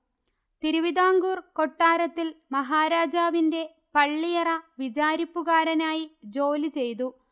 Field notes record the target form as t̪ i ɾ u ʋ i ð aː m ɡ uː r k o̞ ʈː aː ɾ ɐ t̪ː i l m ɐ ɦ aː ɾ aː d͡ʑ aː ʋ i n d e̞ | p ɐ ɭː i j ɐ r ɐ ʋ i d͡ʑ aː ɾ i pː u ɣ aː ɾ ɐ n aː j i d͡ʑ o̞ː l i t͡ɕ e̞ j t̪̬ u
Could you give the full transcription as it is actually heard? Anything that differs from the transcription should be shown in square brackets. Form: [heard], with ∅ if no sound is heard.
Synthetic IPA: t̪ i ɾ u ʋ i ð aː [ŋ] ɡ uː r k o̞ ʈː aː ɾ ɐ t̪ː i l m ɐ ɦ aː ɾ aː d͡ʑ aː ʋ i n d e̞ | p ɐ ɭː i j ɐ r ɐ ʋ i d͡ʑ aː ɾ i pː u ɣ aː ɾ ɐ n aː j i d͡ʑ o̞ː l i t͡ɕ e̞ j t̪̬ u